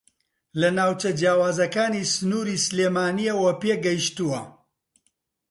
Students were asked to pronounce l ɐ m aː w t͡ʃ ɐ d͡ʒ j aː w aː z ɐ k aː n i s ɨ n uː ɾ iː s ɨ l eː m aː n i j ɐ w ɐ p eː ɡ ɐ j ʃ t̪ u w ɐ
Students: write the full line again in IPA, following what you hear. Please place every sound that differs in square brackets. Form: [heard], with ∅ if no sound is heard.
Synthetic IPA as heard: l ɐ [n] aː w t͡ʃ ɐ d͡ʒ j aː w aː z ɐ k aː n i s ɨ n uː ɾ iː s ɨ l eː m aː n i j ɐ w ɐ p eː ɡ ɐ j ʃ t̪ u w ɐ